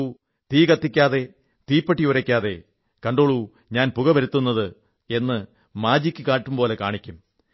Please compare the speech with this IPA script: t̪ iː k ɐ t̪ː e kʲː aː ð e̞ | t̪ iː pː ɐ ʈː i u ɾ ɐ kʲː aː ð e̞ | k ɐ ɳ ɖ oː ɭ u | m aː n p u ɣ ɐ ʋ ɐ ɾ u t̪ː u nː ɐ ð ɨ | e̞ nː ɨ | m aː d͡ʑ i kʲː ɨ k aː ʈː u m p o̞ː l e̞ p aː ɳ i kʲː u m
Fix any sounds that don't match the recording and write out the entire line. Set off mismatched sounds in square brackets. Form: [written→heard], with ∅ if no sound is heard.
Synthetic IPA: t̪ iː k ɐ t̪ː [e→i] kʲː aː ð e̞ | t̪ iː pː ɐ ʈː i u ɾ ɐ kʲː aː ð e̞ | k ɐ ɳ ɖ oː ɭ u | [m→ɲ] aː n p u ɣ ɐ ʋ ɐ ɾ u t̪ː u nː ɐ ð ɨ | e̞ nː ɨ | m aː d͡ʑ i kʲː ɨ k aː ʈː u m p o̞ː l e̞ [p→k] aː ɳ i kʲː u m